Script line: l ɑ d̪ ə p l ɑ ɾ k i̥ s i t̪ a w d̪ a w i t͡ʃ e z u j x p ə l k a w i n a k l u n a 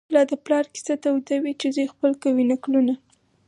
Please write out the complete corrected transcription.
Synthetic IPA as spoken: l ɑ d̪ ə p l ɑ ɾ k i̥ s a t̪ a w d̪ a w i t͡ʃ e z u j x p ə l k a w i n a k l u n a